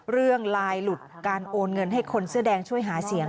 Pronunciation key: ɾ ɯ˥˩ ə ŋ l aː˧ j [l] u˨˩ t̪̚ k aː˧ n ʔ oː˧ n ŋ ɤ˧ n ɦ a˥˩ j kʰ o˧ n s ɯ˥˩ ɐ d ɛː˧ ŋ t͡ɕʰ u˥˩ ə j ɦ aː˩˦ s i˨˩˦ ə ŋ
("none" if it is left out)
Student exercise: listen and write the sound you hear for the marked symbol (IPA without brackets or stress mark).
l